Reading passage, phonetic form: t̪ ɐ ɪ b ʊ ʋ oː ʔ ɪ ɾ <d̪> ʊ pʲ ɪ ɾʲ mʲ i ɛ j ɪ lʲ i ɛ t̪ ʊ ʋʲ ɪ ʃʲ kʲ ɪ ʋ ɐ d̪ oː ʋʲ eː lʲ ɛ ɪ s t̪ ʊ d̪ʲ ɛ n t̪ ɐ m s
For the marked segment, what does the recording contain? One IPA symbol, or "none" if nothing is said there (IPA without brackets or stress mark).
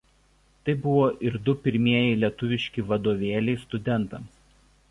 d̪